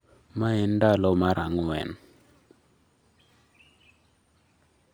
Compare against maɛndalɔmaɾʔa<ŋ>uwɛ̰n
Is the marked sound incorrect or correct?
correct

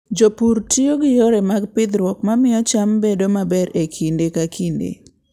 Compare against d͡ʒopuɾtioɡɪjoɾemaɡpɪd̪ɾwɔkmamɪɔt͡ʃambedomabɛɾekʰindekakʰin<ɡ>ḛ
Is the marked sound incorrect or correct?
incorrect: d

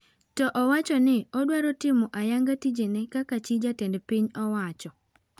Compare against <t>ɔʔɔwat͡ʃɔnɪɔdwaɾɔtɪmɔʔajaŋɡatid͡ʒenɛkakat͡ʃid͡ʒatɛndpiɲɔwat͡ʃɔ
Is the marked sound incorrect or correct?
correct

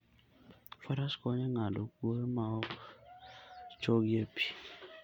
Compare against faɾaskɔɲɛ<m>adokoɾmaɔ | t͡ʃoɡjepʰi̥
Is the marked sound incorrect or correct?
incorrect: ŋ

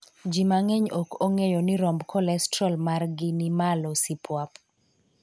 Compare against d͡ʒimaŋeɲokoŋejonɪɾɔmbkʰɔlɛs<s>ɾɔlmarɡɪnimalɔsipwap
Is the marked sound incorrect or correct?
incorrect: t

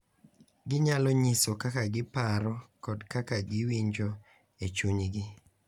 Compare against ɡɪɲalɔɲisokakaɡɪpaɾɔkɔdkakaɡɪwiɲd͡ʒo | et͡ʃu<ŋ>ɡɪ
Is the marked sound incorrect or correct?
incorrect: ɲ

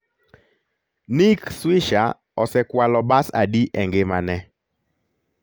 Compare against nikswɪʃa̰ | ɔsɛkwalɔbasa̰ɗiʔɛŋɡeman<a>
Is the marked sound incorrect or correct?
incorrect: ɛ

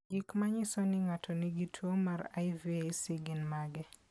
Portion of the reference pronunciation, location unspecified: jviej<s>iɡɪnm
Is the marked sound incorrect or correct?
correct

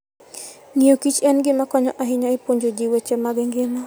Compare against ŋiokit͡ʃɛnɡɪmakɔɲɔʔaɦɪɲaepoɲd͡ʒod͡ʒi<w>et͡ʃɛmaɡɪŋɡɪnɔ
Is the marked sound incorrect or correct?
correct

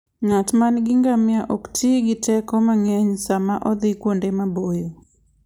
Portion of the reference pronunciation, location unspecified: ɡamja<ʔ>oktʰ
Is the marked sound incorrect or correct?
correct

